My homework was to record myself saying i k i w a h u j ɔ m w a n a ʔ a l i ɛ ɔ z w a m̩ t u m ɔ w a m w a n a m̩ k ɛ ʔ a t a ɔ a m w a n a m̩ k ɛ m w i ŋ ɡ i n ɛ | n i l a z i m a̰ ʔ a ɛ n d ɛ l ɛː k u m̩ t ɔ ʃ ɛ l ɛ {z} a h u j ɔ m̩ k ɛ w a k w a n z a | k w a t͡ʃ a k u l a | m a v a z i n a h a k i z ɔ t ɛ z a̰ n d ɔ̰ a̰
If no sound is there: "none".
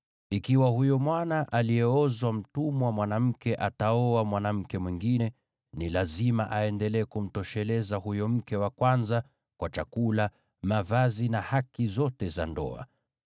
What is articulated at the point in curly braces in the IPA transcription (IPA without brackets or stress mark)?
z